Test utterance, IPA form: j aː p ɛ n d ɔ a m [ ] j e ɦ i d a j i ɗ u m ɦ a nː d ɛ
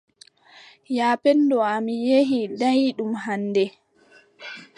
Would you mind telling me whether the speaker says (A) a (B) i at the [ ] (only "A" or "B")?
B